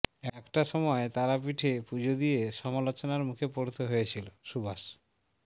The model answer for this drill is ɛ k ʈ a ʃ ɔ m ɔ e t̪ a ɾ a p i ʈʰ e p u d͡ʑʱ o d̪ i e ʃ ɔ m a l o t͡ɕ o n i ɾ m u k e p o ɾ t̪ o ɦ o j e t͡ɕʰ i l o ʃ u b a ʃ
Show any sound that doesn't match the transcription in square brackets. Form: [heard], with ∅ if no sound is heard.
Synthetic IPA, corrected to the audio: ɛ k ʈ a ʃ ɔ m ɔ e t̪ a ɾ a p i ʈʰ e p u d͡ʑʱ o d̪ i e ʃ ɔ m a l o t͡ɕ o n [a] ɾ m u [kʰ] e p o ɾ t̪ o ɦ o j e t͡ɕʰ i l o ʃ u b a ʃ